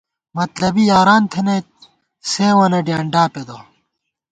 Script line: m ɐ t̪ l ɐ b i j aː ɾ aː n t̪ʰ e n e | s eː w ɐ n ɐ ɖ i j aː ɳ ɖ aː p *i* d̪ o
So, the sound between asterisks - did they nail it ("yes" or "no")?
no